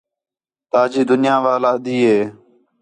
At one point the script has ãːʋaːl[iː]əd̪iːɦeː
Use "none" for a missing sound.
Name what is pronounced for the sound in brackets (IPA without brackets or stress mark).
aː